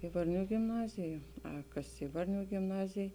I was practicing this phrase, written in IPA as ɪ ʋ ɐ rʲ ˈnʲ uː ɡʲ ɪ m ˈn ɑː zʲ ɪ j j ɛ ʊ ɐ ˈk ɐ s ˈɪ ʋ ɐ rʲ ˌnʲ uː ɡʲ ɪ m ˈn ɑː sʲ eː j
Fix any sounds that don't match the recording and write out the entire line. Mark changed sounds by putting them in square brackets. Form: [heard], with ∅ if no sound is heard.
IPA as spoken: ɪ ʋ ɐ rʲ ˈnʲ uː ɡʲ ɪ m ˈn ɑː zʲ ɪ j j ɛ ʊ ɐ ˈk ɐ s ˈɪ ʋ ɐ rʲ ˌnʲ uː ɡʲ ɪ m ˈn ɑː [zʲ] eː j